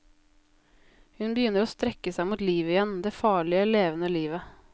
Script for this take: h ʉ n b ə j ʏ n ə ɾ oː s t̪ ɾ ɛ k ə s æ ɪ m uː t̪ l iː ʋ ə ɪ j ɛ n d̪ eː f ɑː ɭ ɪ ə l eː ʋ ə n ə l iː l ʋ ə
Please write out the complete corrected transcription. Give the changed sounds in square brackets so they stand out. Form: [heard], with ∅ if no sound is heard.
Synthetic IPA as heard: h ʉ n b ə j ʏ n ə ɾ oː s t̪ ɾ ɛ k ə s æ ɪ m uː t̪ l iː ʋ ə ɪ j ɛ n d̪ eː f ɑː ɭ ɪ ə l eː ʋ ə n ə l iː [∅] ʋ ə